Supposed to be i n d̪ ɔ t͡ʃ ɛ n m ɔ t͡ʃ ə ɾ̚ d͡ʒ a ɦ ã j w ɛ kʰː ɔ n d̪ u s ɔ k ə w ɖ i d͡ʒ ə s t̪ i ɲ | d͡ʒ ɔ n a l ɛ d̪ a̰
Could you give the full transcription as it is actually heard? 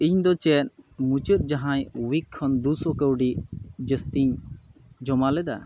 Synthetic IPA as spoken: i ɲ d̪ ɔ t͡ʃ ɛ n m u t͡ʃ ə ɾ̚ d͡ʒ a ɦ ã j w i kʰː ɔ n d̪ u s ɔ k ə w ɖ i d͡ʒ ə s t̪ i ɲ | d͡ʒ ɔ m a l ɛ d̪ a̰